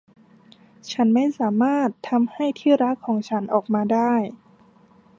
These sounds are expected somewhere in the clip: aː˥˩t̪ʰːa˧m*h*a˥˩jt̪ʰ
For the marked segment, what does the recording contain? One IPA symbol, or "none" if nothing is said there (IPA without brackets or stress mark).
h